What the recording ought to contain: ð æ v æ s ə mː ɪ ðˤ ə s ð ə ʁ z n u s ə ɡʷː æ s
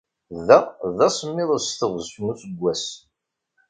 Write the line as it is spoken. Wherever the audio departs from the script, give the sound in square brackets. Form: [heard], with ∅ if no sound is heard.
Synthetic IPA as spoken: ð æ [ð] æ s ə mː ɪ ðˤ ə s [θ] ə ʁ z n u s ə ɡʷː æ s